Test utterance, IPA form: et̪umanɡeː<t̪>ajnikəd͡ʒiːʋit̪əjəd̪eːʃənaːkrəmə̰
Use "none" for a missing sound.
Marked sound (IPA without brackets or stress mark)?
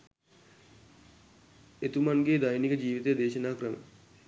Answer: d̪